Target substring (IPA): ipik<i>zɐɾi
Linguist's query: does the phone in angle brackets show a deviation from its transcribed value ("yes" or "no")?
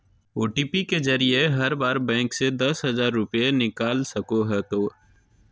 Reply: yes